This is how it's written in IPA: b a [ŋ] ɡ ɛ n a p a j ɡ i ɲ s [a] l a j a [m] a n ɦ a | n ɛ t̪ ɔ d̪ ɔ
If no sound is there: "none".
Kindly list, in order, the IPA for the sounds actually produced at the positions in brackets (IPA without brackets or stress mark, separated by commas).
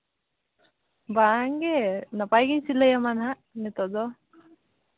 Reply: ŋ, i, m